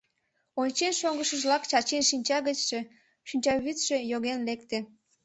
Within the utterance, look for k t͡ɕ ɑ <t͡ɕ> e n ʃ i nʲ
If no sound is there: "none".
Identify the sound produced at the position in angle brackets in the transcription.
t͡ɕ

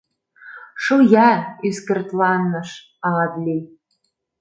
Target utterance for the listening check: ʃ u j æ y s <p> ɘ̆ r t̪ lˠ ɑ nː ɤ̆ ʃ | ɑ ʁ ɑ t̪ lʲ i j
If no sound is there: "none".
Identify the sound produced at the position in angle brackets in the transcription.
k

